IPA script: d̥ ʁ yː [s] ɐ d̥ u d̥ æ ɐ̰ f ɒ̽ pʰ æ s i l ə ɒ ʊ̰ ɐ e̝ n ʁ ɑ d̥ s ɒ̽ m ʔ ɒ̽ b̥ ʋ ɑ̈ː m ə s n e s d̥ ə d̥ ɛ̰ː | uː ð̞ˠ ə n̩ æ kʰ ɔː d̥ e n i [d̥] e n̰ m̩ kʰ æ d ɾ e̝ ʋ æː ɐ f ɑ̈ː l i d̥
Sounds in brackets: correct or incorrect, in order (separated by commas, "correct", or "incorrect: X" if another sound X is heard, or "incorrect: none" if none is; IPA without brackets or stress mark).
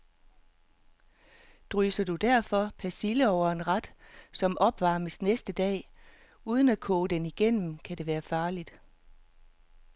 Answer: correct, incorrect: ɡ̥